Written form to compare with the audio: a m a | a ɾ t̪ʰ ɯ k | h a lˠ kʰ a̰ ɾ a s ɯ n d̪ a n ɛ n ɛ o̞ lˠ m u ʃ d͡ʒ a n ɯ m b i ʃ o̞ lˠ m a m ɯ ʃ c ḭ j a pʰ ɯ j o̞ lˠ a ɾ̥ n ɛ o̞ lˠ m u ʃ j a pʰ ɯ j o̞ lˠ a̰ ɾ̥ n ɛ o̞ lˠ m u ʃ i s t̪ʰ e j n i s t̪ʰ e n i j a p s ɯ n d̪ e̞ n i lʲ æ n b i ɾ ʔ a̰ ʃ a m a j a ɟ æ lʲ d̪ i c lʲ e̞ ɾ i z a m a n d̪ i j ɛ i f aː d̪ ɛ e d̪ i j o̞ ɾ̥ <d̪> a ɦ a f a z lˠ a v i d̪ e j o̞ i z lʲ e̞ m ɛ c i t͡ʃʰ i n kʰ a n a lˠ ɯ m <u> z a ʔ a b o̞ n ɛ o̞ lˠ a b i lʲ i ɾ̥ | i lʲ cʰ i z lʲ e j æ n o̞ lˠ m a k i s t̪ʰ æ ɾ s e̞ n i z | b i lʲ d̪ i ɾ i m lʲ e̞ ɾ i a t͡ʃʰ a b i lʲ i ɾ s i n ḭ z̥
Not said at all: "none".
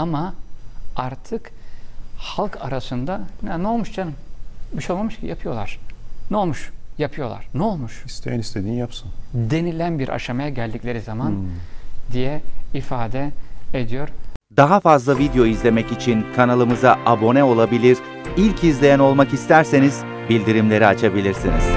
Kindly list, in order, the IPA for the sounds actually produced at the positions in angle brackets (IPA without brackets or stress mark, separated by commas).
d̪, ɯ